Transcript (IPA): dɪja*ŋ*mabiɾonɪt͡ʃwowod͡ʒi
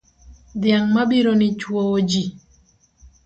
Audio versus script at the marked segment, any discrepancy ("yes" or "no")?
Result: no